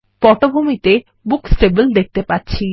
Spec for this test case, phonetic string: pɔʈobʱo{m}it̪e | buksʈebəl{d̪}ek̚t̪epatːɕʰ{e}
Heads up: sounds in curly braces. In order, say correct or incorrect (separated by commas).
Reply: correct, correct, incorrect